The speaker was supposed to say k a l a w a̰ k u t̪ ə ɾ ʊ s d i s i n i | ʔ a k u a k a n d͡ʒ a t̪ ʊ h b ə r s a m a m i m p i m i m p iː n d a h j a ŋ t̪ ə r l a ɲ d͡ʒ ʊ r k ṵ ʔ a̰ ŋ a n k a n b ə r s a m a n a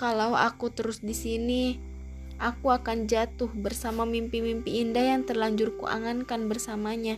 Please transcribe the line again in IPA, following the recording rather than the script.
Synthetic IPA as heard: k a l a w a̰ k u t̪ ə ɾ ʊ s d i s i n i | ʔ a k u a k a n d͡ʒ a t̪ ʊ h b ə r s a m a m i m p i m i m p iː n d a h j a ŋ t̪ ə r l a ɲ d͡ʒ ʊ r k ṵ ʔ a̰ ŋ a n k a n b ə r s a m a ɲ a